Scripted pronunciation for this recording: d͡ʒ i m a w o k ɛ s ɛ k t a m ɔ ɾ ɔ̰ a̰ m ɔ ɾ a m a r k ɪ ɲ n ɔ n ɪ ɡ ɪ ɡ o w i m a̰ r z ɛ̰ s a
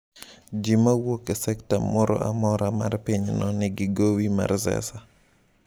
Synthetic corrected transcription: d͡ʒ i m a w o k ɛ s ɛ k t a m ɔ ɾ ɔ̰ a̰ m ɔ ɾ a m a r p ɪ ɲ n ɔ n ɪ ɡ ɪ ɡ o w i m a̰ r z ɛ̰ s a